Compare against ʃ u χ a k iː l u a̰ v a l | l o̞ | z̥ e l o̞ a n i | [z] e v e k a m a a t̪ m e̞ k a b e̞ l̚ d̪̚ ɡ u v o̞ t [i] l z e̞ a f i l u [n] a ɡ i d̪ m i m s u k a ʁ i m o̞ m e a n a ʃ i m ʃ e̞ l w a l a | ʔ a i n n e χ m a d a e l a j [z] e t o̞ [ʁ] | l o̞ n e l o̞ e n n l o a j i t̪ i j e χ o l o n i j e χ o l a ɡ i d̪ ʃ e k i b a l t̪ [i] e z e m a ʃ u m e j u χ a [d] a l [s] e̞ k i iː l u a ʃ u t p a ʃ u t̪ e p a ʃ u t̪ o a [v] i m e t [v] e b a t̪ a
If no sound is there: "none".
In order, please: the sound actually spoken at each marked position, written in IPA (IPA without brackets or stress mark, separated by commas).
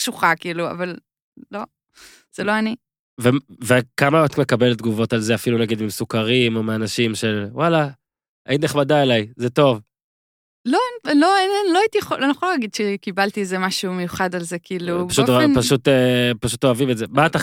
v, a, n, z, v, i, d, z, v, z